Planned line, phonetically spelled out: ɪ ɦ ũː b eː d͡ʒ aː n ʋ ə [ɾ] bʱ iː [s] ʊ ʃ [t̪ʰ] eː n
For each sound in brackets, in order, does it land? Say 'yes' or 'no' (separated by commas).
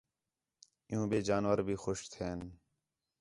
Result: yes, no, yes